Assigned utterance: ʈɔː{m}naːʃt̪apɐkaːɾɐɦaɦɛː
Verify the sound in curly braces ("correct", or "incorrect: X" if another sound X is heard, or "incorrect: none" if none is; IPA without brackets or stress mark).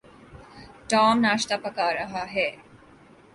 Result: correct